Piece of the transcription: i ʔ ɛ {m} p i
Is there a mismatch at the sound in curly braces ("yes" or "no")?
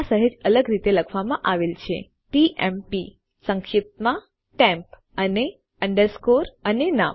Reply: no